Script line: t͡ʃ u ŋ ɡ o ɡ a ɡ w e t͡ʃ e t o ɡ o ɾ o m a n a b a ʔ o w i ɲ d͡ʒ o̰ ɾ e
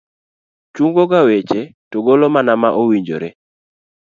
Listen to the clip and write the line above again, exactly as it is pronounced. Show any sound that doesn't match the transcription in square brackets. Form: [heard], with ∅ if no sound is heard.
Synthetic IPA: t͡ʃ u ŋ ɡ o ɡ a [∅] w e t͡ʃ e t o ɡ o [l] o m a n a [m] a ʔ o w i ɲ d͡ʒ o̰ ɾ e